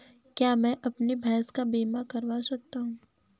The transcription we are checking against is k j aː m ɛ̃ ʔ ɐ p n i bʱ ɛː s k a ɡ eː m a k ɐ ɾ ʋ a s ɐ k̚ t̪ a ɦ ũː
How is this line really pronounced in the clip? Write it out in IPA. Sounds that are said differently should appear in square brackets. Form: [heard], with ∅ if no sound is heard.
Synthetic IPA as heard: k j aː m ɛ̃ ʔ ɐ p n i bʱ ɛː s k a [b] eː m a k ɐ ɾ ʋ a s ɐ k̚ t̪ a ɦ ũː